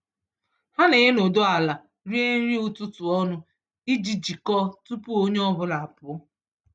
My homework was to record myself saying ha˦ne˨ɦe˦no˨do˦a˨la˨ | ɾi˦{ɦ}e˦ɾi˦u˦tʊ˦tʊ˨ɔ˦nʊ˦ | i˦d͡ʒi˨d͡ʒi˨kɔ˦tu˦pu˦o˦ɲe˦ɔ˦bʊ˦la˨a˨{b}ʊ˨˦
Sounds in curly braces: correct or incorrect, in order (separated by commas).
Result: incorrect, incorrect